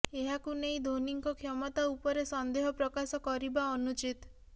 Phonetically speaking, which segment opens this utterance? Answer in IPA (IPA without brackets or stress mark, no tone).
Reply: e